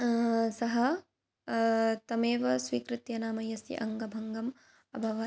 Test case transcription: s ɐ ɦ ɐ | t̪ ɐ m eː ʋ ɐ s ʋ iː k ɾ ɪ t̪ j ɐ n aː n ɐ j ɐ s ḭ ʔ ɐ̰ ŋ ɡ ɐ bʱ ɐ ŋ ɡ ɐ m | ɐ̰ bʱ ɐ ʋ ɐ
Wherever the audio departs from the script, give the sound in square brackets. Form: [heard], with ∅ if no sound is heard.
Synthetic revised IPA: s ɐ ɦ ɐ | t̪ ɐ m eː ʋ ɐ s ʋ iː k ɾ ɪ t̪ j ɐ n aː [m] ɐ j ɐ s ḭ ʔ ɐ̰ ŋ ɡ ɐ bʱ ɐ ŋ ɡ ɐ m | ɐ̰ bʱ ɐ ʋ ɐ